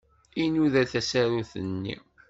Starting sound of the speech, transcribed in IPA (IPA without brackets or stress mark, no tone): i